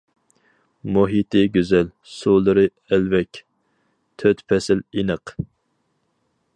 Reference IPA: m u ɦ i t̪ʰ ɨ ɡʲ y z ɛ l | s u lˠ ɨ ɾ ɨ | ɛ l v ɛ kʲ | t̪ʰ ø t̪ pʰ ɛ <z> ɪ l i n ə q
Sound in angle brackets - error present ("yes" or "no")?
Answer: yes